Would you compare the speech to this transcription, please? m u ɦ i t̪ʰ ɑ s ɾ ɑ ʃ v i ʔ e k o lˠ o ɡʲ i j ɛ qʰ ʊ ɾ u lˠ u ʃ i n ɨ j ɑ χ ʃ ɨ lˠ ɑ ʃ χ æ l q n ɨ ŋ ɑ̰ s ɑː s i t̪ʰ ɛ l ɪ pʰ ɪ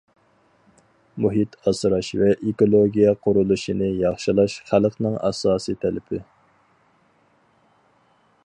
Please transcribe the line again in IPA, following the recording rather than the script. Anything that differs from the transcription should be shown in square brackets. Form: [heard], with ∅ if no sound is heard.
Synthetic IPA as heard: m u ɦ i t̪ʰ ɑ s ɾ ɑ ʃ v [ɛ] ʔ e k o lˠ o ɡʲ i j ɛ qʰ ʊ ɾ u lˠ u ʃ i n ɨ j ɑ χ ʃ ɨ lˠ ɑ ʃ χ æ l q n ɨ ŋ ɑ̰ s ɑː s i t̪ʰ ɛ l ɪ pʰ ɪ